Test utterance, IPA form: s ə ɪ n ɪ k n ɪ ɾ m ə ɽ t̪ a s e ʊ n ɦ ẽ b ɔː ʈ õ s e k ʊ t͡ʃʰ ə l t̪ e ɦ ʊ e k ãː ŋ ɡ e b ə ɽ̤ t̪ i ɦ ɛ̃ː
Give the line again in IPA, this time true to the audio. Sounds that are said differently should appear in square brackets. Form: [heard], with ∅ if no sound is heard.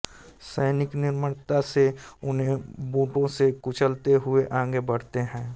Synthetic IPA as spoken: s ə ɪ n ɪ k n ɪ ɾ m ə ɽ t̪ a s e ʊ n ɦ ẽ b [uː] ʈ õ s e k ʊ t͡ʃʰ ə l t̪ e ɦ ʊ e [ʔ] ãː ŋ ɡ e b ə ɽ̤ t̪ [e] ɦ ɛ̃ː